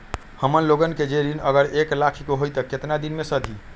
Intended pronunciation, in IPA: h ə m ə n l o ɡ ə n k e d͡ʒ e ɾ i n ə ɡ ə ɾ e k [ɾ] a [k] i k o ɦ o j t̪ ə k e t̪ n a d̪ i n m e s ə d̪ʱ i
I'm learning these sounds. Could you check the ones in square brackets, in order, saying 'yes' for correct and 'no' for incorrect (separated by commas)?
no, no